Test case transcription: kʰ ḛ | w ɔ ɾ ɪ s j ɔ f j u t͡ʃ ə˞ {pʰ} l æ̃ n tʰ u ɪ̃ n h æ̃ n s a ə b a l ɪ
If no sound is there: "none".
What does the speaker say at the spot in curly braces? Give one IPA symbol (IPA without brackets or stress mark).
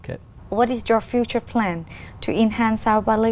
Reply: pʰ